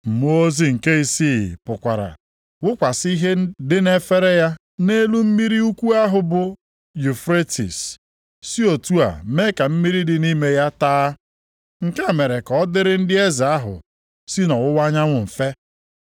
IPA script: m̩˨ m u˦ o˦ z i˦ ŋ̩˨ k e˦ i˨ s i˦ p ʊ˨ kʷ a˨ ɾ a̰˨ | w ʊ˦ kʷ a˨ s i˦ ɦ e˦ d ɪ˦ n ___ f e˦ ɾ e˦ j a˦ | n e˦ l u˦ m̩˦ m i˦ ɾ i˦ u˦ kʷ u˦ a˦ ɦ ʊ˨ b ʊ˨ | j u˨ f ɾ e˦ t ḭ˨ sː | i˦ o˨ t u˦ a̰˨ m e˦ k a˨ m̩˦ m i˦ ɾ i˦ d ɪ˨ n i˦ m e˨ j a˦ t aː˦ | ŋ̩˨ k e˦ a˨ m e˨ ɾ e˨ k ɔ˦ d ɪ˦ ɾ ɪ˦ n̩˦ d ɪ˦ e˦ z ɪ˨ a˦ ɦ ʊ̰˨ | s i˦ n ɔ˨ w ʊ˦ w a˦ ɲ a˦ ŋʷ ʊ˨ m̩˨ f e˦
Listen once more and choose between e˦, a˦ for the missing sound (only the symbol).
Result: e˦